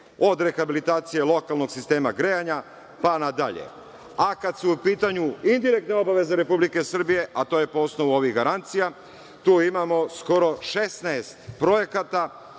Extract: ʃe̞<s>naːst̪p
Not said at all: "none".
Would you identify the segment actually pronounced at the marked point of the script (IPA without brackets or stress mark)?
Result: s